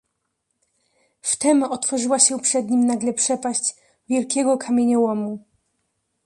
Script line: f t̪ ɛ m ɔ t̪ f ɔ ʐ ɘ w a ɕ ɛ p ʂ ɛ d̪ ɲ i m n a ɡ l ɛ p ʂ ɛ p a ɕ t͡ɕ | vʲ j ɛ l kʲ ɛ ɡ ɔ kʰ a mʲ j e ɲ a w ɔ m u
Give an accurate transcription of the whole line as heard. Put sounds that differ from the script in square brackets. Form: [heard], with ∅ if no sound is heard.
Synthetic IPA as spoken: f t̪ ɛ m ɔ t̪ f ɔ ʐ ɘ w a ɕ ɛ p ʂ ɛ d̪ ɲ i m n a ɡ l ɛ p ʂ ɛ p a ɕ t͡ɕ | vʲ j ɛ l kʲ ɛ ɡ ɔ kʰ a mʲ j e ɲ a w ɔ m u